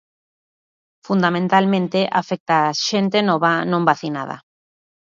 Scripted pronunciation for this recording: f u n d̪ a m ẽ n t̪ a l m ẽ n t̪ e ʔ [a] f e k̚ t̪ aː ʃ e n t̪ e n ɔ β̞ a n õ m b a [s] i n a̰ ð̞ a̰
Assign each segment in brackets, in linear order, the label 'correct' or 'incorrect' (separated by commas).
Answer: correct, incorrect